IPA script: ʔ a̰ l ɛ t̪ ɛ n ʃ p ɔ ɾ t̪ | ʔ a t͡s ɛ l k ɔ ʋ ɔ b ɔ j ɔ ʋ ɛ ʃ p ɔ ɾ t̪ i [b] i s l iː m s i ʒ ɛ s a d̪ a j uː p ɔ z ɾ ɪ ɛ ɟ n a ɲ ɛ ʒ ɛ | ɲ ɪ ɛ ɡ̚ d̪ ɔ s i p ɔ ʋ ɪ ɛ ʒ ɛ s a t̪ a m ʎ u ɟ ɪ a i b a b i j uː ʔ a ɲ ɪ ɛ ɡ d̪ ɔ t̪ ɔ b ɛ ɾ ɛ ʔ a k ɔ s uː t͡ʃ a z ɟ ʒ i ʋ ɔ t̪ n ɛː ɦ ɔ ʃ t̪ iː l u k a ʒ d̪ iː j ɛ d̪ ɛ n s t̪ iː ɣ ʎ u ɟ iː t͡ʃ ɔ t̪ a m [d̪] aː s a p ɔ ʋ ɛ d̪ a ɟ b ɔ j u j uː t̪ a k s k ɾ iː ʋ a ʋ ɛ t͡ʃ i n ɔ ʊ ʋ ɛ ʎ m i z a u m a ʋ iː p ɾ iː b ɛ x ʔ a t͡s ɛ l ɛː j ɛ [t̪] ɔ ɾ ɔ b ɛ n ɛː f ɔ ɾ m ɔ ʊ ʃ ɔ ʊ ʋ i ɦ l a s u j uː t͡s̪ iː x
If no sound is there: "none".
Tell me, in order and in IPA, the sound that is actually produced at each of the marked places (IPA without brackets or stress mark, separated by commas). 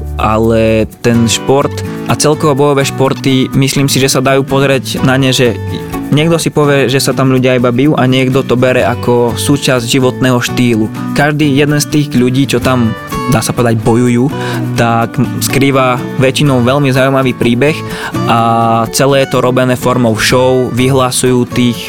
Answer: m, d̪, t̪